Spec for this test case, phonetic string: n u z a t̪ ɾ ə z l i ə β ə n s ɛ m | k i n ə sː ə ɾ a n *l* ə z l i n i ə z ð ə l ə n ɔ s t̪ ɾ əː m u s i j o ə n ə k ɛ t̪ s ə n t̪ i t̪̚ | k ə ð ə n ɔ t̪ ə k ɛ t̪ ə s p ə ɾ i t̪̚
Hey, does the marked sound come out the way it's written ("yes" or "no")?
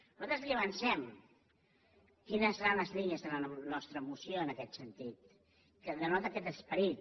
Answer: yes